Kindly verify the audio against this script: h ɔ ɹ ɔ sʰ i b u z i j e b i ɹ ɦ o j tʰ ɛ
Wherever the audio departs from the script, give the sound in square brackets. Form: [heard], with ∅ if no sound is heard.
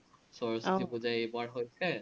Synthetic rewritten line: [s] ɔ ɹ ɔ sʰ i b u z [a] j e b [a] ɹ ɦ o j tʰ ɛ